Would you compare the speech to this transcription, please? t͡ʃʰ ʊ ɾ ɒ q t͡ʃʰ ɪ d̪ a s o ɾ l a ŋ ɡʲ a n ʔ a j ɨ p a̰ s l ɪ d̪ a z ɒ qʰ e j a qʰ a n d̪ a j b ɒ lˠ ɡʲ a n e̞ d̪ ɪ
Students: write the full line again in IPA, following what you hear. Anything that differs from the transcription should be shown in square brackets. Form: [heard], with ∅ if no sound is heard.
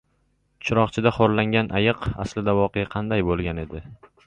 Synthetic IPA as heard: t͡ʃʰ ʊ ɾ ɒ q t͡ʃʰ ɪ d̪ a [χ] o ɾ l a ŋ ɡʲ a n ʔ a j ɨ [q] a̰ s l ɪ d̪ a [v] ɒ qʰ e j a qʰ [ɑ] n d̪ a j b [o] lˠ ɡʲ a n e̞ d̪ ɪ